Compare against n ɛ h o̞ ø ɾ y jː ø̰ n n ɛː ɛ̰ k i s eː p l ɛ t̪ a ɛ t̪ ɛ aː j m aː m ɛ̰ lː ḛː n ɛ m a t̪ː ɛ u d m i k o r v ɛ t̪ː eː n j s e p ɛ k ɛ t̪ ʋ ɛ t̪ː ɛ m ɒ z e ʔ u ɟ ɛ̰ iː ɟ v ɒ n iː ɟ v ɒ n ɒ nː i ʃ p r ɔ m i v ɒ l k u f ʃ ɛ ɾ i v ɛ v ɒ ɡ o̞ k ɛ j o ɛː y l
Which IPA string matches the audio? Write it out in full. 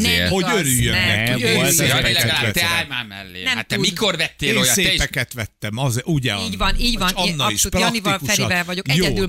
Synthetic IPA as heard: n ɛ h o̞ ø ɾ y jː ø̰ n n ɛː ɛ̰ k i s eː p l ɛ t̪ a ɛ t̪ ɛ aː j m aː m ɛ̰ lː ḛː n ɛ m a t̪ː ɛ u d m i k o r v ɛ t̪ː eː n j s e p ɛ k ɛ t̪ ʋ ɛ t̪ː ɛ m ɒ z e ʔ u ɟ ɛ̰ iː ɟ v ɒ n iː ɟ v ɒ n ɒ nː i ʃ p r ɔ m i v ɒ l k u f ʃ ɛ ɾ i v ɛ v ɒ ɟ o̞ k ɛ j o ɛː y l